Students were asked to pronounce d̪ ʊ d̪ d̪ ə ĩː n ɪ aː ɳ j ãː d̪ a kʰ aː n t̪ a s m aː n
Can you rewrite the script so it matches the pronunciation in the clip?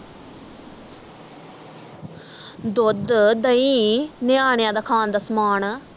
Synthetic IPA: d̪ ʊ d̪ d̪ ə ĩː n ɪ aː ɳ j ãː d̪ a kʰ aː n d̪ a s m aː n